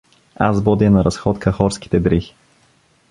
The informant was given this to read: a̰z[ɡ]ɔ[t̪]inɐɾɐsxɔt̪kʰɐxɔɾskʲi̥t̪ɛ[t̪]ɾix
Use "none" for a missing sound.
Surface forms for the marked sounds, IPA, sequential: b, d̪, d̪

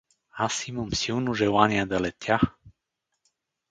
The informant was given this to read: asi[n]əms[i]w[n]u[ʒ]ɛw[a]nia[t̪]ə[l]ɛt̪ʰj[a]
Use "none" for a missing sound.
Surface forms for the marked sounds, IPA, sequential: m, i, n, ʒ, a, d̪, l, a

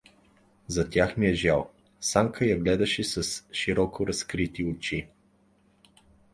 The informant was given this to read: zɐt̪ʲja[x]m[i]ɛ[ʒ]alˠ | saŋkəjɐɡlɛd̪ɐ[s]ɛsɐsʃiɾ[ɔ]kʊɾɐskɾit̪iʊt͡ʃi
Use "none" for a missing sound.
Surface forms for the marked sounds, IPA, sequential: x, i, ʒ, ʃ, ɔ

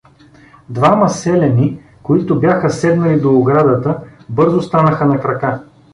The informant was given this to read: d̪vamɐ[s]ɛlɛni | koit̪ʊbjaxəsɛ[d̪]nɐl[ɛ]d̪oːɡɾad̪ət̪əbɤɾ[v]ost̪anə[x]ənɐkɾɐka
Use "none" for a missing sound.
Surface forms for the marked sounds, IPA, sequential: s, d̪, i, z, x

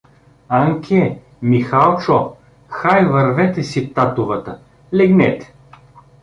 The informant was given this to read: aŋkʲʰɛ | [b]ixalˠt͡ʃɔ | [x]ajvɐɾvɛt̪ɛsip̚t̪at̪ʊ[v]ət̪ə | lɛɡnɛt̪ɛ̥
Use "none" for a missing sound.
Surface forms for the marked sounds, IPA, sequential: m, x, v

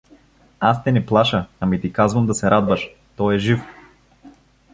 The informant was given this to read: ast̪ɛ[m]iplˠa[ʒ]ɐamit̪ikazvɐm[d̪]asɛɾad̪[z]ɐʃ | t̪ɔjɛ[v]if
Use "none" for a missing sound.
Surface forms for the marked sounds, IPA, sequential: n, ʃ, d̪, v, ʒ

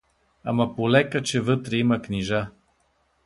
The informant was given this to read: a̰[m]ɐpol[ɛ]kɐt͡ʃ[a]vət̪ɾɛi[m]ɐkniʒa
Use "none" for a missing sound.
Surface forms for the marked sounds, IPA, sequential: m, ɛ, ɛ, m

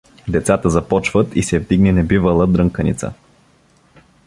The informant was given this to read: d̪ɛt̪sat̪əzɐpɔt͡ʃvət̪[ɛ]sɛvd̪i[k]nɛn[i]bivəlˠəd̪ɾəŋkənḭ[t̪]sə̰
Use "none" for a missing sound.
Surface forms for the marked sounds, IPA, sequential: i, ɡ, ɛ, t̪

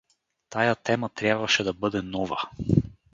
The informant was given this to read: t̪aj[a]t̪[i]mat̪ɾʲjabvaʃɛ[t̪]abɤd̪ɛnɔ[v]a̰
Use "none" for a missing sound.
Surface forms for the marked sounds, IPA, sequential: a, ɛ, d̪, v

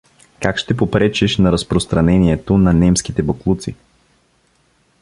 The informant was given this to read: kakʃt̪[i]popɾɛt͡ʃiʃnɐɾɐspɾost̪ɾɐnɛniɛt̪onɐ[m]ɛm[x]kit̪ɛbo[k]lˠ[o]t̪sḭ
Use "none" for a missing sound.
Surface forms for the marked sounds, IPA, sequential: ɛ, n, s, k, u

